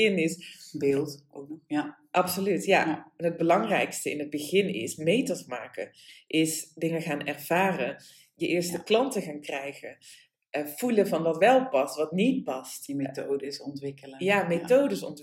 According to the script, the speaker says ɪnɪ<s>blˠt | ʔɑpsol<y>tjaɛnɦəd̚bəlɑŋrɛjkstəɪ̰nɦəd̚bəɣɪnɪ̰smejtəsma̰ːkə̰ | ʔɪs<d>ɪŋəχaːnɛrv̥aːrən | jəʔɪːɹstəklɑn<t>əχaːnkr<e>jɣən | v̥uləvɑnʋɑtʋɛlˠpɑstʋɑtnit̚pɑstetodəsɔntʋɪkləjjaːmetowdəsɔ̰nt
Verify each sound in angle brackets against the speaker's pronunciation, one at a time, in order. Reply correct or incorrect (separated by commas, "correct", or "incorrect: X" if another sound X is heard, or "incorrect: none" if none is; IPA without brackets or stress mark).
correct, correct, correct, correct, incorrect: ɛ